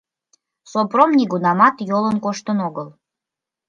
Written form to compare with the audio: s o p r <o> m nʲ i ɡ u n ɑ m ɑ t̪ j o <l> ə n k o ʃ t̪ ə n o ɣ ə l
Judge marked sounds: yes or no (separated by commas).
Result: yes, yes